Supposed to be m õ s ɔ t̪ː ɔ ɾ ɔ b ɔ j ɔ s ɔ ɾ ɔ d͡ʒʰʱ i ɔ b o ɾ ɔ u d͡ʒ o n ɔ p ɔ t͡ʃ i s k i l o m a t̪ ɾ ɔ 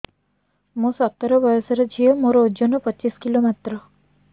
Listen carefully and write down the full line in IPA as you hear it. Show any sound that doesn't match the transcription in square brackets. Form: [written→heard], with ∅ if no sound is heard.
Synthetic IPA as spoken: m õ s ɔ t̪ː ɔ ɾ ɔ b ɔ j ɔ s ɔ ɾ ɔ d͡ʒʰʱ i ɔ [b→m] o ɾ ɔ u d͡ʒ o n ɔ p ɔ t͡ʃ i s k i l o m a t̪ ɾ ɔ